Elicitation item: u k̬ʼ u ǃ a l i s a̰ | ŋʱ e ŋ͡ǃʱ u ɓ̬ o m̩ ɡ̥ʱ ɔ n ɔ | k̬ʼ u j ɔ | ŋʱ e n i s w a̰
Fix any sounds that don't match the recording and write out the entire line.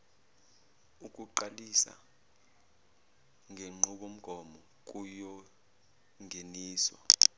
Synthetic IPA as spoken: u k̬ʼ u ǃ a l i s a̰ | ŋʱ e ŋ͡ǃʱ u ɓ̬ o m̩ ɡ̥ʱ ɔ m ɔ | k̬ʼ u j ɔ | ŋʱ e n iː s w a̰